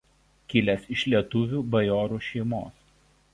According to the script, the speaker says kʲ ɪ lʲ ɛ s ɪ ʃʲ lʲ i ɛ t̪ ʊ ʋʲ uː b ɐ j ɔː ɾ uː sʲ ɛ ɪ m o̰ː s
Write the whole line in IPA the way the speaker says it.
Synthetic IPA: kʲ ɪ lʲ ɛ s ɪ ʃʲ lʲ i ɛ t̪ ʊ ʋʲ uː b ɐ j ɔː ɾ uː ʃʲ ɛ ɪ m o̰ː s